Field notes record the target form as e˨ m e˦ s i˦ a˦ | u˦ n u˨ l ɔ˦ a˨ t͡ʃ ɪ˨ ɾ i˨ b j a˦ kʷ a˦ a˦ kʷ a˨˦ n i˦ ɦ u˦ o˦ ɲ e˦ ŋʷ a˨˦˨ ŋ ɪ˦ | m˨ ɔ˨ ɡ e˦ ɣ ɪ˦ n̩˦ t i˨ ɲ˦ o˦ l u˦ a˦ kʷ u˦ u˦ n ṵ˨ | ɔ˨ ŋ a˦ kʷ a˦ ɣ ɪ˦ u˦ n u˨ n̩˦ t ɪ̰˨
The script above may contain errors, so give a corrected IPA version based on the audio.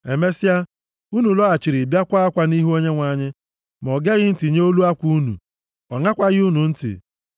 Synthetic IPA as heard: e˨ m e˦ s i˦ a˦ | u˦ n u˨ l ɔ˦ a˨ t͡ʃ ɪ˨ ɾ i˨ b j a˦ kʷ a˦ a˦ kʷ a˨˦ n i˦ ɦ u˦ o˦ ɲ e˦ ŋʷ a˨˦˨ ɲ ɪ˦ | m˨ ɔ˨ ɡ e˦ ɣ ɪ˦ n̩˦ t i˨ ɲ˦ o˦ l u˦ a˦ kʷ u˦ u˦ n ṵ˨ | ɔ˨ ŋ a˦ kʷ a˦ ɣ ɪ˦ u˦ n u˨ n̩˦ t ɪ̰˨

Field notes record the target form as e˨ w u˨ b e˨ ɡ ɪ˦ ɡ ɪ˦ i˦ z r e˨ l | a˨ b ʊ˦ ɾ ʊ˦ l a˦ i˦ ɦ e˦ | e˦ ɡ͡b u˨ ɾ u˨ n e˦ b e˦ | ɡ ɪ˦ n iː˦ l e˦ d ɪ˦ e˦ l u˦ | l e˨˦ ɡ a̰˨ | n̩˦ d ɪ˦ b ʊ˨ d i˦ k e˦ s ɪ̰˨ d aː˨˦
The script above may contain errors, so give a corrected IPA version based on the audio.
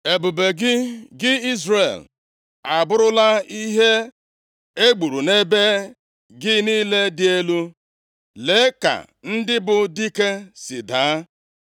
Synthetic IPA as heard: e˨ b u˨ b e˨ ɡ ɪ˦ ɡ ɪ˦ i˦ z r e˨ l | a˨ b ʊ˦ ɾ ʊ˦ l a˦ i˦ ɦ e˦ | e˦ ɡ͡b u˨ ɾ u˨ n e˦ b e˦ | ɡ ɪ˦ n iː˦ l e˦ d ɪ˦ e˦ l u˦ | l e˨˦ k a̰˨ | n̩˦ d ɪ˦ b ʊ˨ d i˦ k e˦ s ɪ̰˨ d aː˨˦

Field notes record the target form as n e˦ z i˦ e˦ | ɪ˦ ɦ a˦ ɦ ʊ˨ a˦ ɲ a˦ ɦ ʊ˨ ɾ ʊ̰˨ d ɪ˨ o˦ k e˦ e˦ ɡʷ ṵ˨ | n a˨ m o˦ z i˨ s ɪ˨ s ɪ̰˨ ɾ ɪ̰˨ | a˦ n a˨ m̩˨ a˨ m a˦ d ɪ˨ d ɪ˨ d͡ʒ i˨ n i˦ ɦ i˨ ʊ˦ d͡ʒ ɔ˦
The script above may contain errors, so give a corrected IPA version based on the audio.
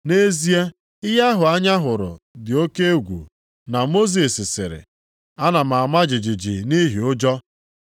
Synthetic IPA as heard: n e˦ z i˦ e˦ | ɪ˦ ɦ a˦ ɦ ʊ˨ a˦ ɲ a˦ ɦ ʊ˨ ɾ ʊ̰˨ d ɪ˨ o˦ k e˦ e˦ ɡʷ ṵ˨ | n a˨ m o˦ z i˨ s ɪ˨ s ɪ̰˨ ɾ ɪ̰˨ | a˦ n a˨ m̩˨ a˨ m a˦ d͡ʒ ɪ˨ d͡ʒ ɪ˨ d͡ʒ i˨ n i˦ ɦ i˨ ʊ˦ d͡ʒ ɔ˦

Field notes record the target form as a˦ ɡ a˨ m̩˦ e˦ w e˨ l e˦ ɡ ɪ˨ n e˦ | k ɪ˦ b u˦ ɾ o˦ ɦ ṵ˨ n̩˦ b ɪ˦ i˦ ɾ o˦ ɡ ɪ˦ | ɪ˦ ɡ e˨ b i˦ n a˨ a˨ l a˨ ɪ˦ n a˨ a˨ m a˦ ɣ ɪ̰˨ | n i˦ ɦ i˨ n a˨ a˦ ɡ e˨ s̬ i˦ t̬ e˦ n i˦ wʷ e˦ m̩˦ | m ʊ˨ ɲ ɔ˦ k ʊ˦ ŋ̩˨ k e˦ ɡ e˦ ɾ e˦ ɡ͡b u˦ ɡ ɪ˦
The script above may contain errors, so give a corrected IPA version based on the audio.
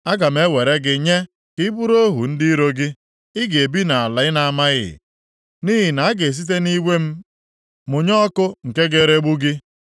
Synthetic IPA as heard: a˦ ɡ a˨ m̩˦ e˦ w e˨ ɾ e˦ ɡ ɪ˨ ɲ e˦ | k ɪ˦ b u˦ ɾ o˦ ɦ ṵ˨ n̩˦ d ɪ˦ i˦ ɾ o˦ ɡ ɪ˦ | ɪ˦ ɡ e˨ b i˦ n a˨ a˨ l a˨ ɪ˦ n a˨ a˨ m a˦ ɣ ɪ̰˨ | n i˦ ɦ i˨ n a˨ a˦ ɡ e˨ s̬ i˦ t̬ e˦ n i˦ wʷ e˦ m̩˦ | m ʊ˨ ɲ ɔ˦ k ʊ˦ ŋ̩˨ k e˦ ɡ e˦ ɾ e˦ ɡ͡b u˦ ɡ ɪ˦

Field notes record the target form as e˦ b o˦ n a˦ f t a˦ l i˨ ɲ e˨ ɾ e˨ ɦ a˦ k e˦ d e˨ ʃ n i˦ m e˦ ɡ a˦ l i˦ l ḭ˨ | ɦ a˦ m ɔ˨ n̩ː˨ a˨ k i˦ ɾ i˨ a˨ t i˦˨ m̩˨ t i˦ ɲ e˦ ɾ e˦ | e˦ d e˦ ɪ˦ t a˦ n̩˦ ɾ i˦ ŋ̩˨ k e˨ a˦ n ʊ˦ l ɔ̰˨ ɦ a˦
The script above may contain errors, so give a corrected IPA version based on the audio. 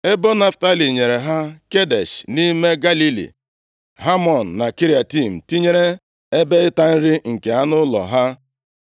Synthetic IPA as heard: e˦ b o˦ n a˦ f t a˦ l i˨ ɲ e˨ ɾ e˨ ɦ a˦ k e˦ d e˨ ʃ n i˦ m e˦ ɡ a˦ l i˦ l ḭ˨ | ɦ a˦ m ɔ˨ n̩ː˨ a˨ k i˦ ɾ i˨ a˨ t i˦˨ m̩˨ t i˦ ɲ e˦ ɾ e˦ | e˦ b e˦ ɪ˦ t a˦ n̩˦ ɾ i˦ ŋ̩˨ k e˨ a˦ n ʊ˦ l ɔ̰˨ ɦ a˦

